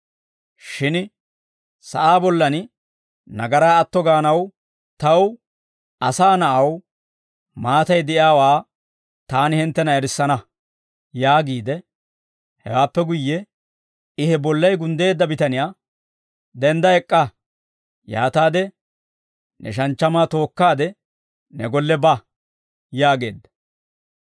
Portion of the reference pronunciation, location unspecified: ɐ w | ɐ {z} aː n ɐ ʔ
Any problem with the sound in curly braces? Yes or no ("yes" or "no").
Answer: yes